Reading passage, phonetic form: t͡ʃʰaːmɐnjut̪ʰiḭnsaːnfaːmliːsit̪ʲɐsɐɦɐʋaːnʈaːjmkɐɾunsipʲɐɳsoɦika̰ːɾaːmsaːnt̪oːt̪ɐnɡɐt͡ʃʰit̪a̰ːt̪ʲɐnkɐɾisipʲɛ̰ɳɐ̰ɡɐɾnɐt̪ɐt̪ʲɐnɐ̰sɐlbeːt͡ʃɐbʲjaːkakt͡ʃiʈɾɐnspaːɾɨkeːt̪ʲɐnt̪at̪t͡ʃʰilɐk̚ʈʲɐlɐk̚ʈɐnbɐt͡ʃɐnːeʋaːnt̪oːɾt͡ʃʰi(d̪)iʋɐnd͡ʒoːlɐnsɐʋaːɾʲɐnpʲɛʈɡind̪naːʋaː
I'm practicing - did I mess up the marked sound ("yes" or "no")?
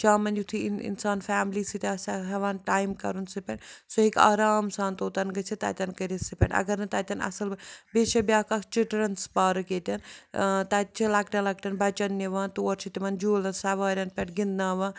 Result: yes